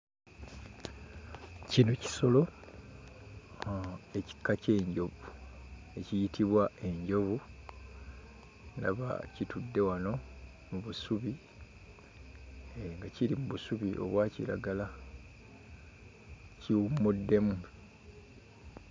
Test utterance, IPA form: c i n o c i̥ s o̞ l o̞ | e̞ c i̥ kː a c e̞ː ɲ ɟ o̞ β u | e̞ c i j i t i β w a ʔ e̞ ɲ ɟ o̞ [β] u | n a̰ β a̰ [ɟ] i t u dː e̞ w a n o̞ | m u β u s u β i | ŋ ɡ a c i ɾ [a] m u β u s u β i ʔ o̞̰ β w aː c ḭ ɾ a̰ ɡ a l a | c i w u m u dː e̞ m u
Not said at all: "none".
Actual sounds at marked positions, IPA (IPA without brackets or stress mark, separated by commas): β, c, i